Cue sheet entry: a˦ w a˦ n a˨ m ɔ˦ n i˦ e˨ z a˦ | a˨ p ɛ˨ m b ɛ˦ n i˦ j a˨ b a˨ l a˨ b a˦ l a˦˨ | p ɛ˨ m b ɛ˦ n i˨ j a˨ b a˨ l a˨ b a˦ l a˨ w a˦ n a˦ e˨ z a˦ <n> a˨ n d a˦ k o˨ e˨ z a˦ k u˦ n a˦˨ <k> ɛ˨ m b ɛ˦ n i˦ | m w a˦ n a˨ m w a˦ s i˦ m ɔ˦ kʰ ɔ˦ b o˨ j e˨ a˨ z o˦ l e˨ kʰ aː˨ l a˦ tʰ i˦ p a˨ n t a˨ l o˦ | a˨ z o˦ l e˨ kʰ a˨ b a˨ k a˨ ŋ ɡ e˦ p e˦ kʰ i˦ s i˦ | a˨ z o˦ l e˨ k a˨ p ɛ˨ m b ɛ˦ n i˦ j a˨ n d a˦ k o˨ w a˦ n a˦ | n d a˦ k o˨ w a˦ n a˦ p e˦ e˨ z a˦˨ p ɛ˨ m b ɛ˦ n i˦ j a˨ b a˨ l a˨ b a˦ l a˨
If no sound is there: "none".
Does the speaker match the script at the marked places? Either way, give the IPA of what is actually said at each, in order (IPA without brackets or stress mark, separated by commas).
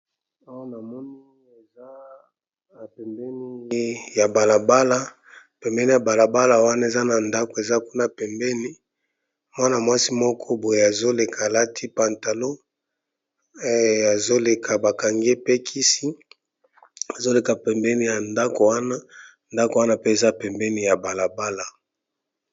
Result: n, p